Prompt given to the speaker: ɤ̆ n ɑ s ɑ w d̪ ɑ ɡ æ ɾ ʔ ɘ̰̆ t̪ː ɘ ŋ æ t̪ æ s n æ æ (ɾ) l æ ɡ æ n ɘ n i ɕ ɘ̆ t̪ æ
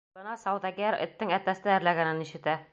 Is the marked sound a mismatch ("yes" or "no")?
no